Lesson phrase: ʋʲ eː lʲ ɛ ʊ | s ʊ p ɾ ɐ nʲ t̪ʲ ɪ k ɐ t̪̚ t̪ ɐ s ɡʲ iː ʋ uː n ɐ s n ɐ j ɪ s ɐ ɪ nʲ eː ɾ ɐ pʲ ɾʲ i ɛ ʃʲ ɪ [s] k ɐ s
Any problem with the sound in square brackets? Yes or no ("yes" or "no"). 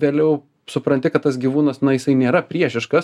yes